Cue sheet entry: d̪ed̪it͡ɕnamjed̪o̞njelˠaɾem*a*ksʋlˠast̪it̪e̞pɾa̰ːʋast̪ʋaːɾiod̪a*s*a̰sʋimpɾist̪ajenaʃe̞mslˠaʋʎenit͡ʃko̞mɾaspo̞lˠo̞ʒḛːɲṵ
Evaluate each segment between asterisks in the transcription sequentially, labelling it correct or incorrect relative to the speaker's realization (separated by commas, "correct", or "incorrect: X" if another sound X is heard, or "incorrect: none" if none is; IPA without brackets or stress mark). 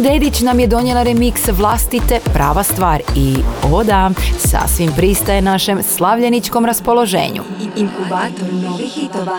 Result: incorrect: i, correct